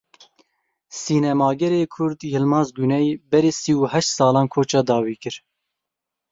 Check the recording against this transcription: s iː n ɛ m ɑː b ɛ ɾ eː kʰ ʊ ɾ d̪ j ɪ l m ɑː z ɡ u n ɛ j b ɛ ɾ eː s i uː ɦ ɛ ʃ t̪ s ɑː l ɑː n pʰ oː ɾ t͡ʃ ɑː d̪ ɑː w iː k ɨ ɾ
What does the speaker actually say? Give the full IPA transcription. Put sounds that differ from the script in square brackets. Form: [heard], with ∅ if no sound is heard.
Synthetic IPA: s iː n ɛ m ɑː [ɡ] ɛ ɾ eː kʰ ʊ ɾ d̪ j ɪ l m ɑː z ɡ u n ɛ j b ɛ ɾ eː s i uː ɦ ɛ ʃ t̪ s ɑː l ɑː n [kʰ] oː [∅] t͡ʃ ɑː d̪ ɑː w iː k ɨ ɾ